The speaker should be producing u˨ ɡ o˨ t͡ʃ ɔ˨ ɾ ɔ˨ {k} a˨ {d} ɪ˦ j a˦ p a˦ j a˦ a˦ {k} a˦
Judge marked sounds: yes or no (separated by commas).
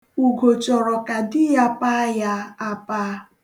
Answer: yes, yes, no